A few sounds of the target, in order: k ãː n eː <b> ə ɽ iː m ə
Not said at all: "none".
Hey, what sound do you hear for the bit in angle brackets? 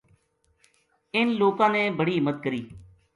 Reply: b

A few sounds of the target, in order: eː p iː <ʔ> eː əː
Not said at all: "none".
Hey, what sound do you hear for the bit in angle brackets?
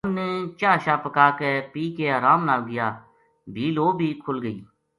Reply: k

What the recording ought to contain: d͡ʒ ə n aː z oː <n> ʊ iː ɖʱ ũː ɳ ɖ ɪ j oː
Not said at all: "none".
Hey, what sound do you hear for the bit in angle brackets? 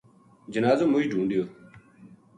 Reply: m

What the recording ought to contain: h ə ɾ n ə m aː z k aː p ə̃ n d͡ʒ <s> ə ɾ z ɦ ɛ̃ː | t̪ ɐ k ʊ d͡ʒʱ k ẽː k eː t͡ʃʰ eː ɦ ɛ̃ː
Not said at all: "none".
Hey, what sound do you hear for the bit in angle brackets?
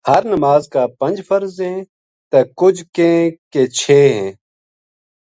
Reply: f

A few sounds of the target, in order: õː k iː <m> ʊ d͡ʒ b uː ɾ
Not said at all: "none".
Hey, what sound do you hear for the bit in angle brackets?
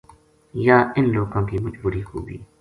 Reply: m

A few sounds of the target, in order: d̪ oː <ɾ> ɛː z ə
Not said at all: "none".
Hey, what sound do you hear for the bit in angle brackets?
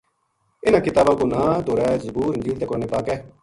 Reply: ɾ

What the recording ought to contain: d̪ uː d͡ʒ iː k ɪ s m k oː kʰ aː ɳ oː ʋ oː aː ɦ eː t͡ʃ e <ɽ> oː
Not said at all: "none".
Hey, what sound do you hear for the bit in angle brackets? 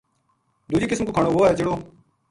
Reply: ɽ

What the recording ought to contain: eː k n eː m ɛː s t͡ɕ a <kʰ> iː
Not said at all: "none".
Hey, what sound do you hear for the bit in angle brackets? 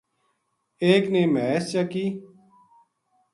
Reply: k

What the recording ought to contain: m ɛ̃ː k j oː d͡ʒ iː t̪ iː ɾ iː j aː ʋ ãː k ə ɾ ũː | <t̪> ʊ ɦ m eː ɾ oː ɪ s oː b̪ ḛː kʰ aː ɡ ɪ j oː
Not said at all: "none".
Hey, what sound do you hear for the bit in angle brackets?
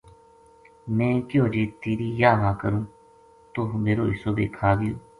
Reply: t̪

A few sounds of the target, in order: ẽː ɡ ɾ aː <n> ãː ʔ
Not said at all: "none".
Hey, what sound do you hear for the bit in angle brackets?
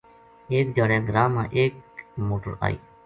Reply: m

